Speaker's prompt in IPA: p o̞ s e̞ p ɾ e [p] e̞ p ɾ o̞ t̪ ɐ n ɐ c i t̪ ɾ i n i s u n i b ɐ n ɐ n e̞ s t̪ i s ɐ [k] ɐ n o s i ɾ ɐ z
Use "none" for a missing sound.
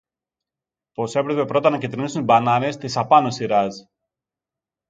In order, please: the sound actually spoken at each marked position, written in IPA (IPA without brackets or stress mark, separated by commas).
p, p